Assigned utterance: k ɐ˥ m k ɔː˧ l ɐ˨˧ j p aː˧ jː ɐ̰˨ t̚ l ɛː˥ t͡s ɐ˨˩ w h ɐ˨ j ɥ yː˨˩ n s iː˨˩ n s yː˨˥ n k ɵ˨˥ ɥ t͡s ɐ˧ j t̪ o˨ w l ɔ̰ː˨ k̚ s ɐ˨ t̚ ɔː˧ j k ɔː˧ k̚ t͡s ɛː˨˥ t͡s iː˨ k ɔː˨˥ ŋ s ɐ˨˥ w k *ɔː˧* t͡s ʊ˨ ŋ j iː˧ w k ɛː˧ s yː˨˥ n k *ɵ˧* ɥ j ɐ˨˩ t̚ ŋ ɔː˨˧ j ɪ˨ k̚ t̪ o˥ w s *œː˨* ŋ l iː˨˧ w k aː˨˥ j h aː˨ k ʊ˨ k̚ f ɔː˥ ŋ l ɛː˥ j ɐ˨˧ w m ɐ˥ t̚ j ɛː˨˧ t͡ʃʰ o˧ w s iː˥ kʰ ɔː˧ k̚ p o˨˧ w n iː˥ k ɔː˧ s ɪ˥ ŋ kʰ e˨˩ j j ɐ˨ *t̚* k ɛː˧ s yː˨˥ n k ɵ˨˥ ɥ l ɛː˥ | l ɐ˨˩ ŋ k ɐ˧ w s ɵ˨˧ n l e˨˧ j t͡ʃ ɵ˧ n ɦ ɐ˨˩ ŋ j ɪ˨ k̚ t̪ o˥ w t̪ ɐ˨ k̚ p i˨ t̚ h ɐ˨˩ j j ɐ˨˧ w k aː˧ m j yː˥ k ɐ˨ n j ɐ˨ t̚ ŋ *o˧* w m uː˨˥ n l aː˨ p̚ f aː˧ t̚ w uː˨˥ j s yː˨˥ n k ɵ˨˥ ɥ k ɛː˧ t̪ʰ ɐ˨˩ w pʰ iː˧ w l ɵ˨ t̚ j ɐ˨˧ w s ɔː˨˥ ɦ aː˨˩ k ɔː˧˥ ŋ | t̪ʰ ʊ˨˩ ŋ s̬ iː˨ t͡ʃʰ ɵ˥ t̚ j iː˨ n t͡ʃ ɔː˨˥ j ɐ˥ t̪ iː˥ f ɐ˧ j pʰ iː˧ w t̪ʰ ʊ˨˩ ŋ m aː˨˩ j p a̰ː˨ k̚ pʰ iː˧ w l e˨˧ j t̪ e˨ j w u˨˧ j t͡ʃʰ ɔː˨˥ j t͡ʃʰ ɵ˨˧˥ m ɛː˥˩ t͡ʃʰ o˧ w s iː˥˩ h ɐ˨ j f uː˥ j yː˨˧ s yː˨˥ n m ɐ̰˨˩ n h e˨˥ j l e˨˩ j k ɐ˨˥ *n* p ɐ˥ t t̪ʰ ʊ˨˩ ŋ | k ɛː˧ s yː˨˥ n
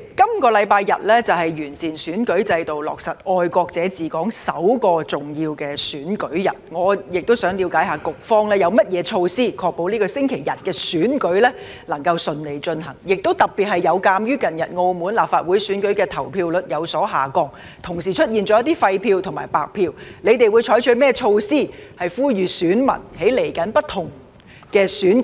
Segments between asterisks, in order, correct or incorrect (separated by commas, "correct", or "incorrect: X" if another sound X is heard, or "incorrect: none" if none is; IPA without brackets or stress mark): correct, incorrect: ɵ˨˥, incorrect: œː˨˥, correct, correct, correct